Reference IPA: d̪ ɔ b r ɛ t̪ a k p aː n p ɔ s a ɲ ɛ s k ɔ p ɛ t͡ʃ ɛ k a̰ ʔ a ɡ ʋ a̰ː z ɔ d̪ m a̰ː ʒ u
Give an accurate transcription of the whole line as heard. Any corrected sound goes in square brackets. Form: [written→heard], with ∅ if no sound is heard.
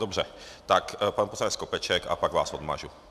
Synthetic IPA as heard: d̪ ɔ b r ɛ t̪ a k p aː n p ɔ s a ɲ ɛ s k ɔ p ɛ t͡ʃ ɛ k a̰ [ʔ→p] a ɡ ʋ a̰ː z ɔ d̪ m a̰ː ʒ u